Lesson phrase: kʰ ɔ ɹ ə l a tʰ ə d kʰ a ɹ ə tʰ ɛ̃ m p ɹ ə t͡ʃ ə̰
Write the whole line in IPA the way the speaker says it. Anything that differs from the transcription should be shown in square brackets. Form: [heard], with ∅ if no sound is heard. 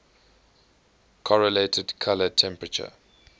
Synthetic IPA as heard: kʰ ɔ ɹ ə l [e] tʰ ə d kʰ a [l] ə tʰ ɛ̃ m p ɹ ə t͡ʃ ə̰